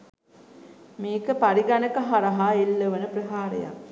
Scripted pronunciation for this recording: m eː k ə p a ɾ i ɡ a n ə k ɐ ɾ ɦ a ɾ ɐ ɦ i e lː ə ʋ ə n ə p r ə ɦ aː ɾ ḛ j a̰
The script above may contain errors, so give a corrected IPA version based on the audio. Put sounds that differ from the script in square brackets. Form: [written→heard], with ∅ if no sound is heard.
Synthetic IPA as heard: m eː k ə p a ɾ i ɡ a n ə k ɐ [ɾ→∅] ɦ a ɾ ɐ ɦ [i→a] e lː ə ʋ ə n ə p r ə ɦ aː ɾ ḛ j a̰